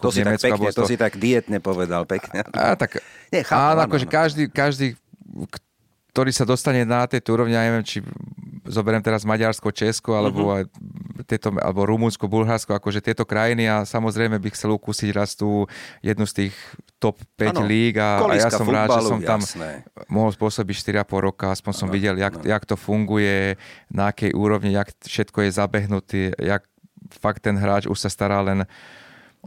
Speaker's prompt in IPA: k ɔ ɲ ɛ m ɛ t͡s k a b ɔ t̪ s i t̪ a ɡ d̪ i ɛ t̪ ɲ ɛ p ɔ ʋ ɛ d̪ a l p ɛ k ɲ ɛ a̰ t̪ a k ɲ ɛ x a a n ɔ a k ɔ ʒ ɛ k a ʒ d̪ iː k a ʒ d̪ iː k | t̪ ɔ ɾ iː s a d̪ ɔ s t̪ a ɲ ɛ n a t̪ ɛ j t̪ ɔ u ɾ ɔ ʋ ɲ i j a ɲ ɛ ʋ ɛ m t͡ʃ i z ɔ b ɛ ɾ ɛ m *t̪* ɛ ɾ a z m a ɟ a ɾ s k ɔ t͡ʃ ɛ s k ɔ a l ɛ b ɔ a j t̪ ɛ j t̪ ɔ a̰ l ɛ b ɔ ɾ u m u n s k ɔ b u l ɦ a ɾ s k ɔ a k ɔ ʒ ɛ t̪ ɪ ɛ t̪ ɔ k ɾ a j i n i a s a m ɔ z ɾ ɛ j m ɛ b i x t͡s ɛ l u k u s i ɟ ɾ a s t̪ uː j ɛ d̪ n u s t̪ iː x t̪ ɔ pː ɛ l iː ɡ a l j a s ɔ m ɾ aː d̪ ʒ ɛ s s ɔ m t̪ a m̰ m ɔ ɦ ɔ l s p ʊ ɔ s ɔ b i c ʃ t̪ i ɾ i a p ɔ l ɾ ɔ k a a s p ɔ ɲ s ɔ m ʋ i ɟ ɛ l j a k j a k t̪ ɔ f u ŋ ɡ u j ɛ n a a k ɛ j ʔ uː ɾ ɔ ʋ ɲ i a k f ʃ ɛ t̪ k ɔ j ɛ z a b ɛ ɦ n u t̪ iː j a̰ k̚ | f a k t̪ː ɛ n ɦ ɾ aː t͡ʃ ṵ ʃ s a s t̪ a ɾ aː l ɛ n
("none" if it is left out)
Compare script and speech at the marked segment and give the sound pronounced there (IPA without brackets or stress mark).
t̪